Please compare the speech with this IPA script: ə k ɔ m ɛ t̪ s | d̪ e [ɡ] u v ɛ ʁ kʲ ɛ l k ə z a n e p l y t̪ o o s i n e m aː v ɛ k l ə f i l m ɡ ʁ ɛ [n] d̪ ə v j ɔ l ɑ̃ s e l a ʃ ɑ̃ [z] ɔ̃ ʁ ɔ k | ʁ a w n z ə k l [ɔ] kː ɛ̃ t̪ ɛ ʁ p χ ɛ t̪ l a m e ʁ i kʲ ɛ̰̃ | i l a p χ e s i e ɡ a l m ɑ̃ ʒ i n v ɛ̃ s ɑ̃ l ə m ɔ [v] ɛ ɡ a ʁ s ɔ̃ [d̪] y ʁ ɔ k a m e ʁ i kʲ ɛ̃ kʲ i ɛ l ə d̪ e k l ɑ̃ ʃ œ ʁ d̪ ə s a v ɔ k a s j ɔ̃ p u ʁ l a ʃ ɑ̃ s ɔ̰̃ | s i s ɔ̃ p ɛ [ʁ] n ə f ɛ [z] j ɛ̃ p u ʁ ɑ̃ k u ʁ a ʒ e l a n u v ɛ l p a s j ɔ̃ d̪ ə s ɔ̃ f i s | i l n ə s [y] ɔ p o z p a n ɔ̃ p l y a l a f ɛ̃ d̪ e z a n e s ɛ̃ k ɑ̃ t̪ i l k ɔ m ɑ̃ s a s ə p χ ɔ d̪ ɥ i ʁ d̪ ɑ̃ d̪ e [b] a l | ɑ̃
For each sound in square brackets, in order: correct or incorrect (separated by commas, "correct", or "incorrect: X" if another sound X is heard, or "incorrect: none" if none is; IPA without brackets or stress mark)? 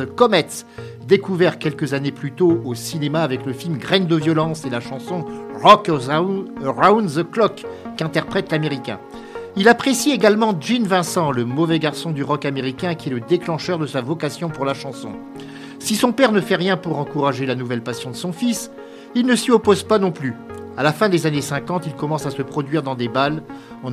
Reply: incorrect: k, correct, incorrect: s, correct, correct, correct, correct, incorrect: ʁ, incorrect: i, correct